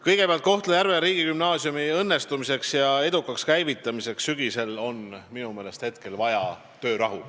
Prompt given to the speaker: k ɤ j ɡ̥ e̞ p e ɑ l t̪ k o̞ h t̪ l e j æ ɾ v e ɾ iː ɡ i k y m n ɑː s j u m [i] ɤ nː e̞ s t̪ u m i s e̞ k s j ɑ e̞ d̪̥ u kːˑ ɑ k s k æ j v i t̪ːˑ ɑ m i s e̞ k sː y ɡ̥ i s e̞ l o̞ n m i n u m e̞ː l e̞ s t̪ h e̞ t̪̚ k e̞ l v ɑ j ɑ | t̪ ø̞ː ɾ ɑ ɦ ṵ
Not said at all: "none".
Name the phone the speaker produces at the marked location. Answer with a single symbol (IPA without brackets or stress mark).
i